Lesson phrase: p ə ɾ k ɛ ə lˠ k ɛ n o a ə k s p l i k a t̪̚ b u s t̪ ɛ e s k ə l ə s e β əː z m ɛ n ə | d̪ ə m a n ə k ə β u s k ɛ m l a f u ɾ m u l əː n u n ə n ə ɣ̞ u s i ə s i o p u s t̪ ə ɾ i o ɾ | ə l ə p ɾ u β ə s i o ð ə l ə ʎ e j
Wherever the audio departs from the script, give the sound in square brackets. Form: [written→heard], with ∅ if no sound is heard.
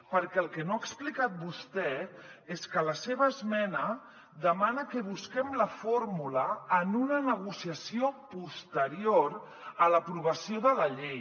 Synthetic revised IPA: p ə ɾ k ɛ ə lˠ k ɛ n o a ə k s p l i k a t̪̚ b u s t̪ ɛ e s k ə l ə s e β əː z m ɛ n ə | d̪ ə m a n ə k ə β u s k ɛ m l [a→ə] f [u→o] ɾ m u l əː n u n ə n ə ɣ̞ u s i ə s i o p u s t̪ ə ɾ i o ɾ | ə l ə p ɾ u β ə s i o ð ə l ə ʎ e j